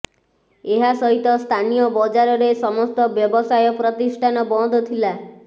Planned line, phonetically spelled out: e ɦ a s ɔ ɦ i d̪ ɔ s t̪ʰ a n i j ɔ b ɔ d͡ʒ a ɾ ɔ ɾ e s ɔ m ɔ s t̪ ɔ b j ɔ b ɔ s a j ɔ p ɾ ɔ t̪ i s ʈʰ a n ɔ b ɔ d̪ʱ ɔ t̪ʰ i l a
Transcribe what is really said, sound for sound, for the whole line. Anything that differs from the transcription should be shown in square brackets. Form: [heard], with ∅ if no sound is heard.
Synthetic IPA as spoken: e ɦ a s ɔ ɦ i [t̪] ɔ s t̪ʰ a n i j ɔ b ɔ d͡ʒ a ɾ ɔ ɾ e s ɔ m ɔ s t̪ ɔ b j ɔ b ɔ s a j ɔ p ɾ ɔ t̪ i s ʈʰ a n ɔ b ɔ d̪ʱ ɔ t̪ʰ i l a